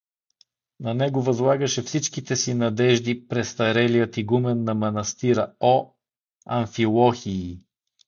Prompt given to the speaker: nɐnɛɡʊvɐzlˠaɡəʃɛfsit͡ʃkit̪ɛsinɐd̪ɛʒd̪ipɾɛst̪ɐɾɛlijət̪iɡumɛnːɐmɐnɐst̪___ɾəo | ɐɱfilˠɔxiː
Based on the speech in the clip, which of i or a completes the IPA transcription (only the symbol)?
i